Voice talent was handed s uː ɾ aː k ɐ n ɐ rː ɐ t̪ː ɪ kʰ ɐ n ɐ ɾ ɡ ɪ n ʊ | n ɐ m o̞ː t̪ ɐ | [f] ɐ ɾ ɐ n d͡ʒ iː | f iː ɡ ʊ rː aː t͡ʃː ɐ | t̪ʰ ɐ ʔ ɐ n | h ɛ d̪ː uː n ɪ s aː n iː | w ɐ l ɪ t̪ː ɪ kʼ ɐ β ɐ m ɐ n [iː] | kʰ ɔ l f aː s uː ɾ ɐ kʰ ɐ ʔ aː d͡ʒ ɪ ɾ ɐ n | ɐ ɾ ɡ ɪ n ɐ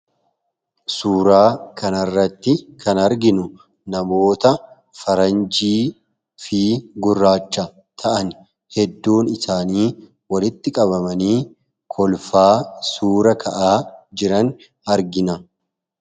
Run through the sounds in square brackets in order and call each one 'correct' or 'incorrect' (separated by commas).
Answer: correct, correct